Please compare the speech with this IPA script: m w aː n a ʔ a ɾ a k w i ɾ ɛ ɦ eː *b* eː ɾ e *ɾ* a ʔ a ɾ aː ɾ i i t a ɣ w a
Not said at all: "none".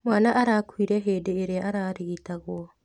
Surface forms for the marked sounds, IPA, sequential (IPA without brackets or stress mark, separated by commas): d, none